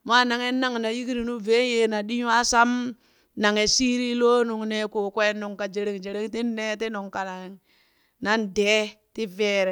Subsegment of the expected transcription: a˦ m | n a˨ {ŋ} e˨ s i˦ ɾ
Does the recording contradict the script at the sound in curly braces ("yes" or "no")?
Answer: no